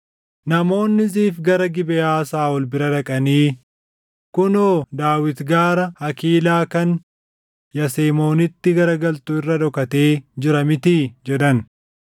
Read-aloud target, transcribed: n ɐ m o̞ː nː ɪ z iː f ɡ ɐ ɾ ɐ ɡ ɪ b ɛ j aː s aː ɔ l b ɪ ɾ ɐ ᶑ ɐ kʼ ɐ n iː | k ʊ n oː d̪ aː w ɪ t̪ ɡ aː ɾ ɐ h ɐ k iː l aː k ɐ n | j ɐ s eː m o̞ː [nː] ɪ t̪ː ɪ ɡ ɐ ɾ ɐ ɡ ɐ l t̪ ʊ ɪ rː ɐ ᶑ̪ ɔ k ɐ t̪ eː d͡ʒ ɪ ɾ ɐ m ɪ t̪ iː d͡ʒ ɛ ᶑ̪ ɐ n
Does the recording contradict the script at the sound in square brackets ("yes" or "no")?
yes